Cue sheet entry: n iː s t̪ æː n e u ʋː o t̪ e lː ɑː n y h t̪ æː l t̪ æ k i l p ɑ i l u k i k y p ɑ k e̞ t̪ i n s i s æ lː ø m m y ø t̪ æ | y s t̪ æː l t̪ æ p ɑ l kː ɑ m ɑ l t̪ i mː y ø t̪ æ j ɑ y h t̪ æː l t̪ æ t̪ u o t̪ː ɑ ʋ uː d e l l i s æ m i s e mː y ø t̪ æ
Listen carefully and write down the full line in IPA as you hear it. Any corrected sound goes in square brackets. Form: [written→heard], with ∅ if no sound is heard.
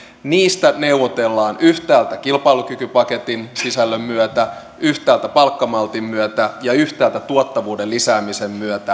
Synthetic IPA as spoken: n iː s t̪ [æː→æ] n e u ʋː o t̪ e lː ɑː n y h t̪ æː l t̪ æ k i l p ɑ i l u k [i→y] k y p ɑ k e̞ t̪ i n s i s æ lː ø m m y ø t̪ æ | y [s→h] t̪ æː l t̪ æ p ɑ l kː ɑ m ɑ l t̪ i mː y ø t̪ æ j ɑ y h t̪ æː l t̪ æ t̪ u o t̪ː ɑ ʋ uː d e l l i s [æ→æː] m i s e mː y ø t̪ æ